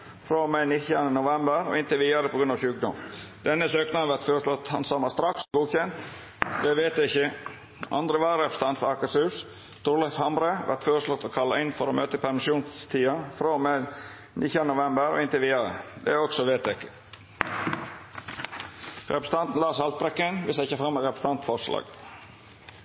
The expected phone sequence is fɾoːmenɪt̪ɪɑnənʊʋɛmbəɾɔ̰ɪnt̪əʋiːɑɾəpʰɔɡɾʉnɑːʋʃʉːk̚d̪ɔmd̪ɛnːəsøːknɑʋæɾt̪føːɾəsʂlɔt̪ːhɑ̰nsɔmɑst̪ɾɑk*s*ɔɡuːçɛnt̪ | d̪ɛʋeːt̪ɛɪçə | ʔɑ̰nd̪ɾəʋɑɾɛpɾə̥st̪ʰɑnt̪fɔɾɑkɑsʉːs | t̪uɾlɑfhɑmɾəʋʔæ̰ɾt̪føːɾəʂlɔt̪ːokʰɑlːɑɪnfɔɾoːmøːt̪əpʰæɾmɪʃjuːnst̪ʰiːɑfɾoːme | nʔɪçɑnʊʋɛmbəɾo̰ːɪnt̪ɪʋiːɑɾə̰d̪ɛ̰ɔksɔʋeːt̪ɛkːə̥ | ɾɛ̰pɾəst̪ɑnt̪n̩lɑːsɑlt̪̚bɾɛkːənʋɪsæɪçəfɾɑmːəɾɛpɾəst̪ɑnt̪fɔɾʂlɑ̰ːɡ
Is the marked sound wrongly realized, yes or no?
no